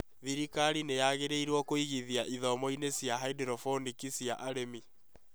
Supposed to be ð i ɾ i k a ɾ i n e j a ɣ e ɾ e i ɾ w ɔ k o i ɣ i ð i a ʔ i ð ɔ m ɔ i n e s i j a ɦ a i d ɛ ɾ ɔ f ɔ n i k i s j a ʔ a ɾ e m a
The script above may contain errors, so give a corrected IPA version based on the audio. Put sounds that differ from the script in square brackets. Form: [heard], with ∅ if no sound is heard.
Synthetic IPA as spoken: ð i ɾ i k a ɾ i n e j a ɣ e ɾ e i ɾ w ɔ k o i ɣ i ð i a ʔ i ð ɔ m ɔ i n e s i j a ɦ a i d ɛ ɾ ɔ f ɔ n i k i s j a ʔ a ɾ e m [i]